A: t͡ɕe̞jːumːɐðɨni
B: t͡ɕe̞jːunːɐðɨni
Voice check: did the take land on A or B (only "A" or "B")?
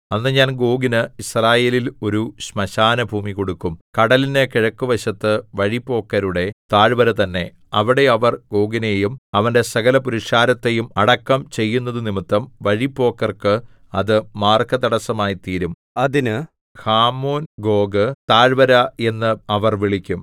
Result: B